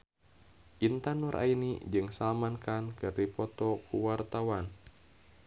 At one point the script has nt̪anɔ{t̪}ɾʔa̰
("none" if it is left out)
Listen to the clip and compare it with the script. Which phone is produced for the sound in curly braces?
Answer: none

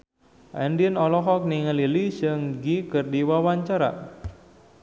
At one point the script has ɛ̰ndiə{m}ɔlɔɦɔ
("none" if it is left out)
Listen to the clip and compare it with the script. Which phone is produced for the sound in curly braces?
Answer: n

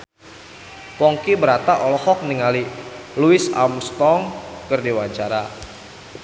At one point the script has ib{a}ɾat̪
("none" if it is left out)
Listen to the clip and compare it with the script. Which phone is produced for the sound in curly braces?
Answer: ə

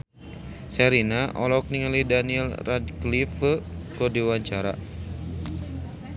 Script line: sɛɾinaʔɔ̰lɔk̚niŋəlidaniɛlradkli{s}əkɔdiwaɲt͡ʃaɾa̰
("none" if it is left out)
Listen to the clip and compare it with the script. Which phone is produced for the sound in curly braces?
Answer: f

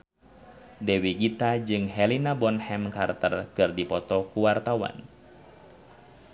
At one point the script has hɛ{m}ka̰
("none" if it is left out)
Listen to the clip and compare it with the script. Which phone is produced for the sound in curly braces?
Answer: m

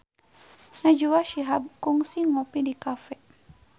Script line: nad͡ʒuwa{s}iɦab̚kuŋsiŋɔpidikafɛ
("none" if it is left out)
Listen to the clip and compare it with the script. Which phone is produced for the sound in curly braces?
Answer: ʃ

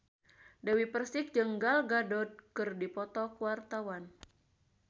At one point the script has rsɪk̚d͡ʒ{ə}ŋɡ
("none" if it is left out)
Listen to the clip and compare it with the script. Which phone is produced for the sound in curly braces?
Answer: ə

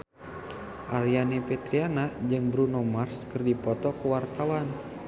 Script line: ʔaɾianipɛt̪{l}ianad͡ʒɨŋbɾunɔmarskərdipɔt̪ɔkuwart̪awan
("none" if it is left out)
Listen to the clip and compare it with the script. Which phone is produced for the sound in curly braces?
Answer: ɾ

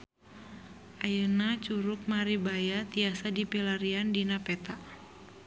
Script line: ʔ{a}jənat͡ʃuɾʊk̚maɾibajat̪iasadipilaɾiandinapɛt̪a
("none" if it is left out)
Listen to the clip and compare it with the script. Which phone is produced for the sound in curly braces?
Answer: a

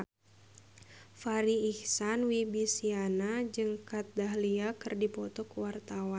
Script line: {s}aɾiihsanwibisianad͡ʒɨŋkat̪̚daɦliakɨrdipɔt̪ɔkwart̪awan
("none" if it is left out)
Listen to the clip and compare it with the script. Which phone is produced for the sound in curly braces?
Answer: f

